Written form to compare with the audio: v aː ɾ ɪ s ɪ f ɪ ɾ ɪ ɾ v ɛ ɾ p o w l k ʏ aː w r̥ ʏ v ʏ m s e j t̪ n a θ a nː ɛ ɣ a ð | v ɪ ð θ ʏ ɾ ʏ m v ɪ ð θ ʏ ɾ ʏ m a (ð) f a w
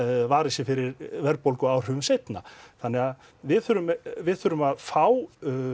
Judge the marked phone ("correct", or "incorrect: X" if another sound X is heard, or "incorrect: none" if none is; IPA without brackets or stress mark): correct